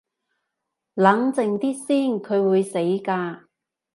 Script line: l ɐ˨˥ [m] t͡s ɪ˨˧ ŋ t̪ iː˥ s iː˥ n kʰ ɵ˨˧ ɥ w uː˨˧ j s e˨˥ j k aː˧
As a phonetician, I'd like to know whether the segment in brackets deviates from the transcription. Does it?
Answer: yes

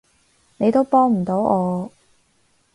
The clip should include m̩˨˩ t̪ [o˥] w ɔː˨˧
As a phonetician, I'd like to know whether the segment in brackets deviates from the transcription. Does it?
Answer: yes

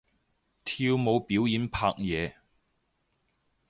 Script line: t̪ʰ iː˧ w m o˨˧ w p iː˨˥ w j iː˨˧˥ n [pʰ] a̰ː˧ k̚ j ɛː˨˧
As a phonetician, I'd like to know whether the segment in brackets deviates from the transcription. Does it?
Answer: no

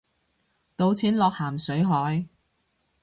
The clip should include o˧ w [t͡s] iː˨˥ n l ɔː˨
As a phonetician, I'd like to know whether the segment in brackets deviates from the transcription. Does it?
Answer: yes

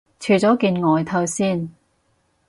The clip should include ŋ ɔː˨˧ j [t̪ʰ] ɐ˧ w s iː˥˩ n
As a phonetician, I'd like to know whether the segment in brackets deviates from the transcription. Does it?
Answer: no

